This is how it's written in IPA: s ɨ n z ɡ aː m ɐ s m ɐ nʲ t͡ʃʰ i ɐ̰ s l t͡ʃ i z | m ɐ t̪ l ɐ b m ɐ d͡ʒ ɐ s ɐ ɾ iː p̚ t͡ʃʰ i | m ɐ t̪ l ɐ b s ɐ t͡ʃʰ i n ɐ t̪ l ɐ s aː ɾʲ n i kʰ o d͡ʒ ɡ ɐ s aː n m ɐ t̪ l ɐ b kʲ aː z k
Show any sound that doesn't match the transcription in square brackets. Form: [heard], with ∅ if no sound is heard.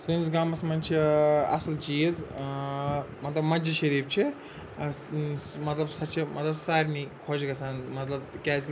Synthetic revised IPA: s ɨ n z ɡ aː m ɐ s m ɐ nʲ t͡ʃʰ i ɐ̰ s l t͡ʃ i z | m ɐ t̪ l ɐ b m ɐ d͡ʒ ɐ [ʃ] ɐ ɾ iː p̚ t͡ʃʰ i | m ɐ t̪ l ɐ b s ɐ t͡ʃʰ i [m] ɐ t̪ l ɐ s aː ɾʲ n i kʰ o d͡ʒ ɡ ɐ s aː n m ɐ t̪ l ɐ b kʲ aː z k